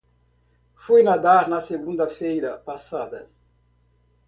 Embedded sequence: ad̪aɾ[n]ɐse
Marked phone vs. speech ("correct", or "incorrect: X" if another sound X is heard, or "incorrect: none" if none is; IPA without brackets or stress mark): correct